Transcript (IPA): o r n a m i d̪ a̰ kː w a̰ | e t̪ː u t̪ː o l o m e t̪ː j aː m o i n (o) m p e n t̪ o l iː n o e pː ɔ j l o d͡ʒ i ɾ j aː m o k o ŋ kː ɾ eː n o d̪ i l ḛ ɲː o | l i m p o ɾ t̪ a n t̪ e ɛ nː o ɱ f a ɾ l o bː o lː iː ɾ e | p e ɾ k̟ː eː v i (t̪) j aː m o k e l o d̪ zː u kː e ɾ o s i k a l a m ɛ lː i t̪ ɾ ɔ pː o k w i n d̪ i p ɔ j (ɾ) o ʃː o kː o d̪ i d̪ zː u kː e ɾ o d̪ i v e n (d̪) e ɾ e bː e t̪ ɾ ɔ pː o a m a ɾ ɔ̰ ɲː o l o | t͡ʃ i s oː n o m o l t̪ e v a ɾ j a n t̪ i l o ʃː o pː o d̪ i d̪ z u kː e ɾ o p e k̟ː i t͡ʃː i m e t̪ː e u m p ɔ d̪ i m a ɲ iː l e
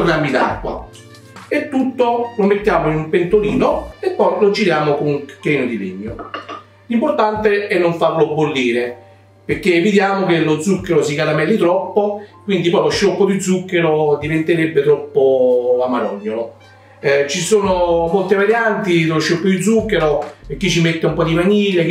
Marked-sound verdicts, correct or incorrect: incorrect: u, incorrect: d̪, incorrect: l, incorrect: t̪

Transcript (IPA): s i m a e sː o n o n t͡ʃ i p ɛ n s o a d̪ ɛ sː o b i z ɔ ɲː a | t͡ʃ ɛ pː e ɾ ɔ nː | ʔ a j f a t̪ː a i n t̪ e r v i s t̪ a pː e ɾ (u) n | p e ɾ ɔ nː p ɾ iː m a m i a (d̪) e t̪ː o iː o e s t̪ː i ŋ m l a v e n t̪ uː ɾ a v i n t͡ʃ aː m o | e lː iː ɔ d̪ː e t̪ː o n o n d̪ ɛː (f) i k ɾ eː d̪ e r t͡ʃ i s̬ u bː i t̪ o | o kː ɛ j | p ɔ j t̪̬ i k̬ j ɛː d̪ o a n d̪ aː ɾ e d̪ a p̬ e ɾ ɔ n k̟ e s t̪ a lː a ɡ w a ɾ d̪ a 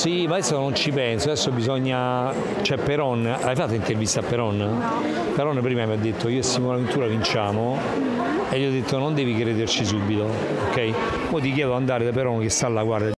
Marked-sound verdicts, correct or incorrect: incorrect: ɔ, incorrect: d̪ː, incorrect: v

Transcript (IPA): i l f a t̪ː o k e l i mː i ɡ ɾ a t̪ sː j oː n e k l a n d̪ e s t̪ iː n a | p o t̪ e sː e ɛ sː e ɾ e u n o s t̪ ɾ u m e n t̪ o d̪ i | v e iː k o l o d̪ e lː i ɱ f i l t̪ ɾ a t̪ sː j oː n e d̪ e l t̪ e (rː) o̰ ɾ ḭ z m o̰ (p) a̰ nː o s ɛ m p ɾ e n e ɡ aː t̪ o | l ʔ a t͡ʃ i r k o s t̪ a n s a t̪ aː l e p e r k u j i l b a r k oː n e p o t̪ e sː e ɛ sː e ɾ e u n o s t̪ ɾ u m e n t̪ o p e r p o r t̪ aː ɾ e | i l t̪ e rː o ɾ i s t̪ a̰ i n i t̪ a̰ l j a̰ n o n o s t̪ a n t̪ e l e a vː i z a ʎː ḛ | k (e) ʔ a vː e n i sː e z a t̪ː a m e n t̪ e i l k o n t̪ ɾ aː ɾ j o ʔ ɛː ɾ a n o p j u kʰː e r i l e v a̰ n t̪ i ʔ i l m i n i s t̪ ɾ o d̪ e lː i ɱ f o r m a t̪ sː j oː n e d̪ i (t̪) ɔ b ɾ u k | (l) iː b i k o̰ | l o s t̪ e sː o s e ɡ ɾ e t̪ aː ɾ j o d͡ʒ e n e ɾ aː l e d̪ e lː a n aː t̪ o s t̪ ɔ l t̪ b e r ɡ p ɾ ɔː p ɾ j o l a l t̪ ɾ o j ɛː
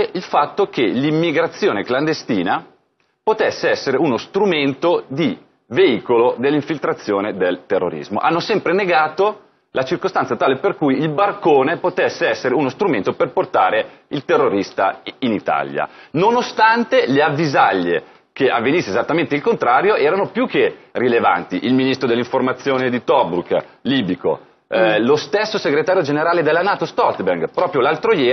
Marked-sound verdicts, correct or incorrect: correct, incorrect: ʔ, correct, correct, correct

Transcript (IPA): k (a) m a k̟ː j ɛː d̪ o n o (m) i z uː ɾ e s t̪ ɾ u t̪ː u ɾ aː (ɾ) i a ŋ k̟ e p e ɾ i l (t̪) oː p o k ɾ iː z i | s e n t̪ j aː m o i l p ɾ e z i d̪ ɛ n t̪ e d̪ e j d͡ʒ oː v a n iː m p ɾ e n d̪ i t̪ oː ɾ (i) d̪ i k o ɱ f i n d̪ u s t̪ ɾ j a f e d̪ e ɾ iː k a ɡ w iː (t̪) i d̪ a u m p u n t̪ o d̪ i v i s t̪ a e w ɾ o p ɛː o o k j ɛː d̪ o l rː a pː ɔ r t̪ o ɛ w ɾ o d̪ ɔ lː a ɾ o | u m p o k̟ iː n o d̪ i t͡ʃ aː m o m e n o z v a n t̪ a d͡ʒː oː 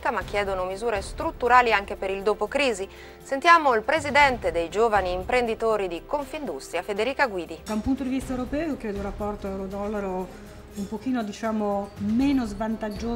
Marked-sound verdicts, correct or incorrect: correct, correct, incorrect: l, incorrect: d̪, correct, incorrect: d̪

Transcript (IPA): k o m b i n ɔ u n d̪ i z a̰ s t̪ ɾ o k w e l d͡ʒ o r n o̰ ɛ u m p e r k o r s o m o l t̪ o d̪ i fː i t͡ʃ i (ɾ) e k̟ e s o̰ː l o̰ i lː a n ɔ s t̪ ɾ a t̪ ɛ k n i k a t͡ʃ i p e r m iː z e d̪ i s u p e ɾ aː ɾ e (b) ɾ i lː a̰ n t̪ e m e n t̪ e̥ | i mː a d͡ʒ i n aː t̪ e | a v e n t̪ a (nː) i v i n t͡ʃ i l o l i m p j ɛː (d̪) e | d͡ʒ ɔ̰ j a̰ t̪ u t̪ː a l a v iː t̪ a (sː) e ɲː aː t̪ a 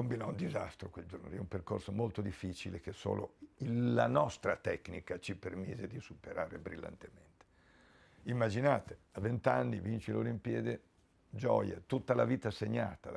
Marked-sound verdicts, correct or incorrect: incorrect: l, correct, correct, correct, incorrect: s

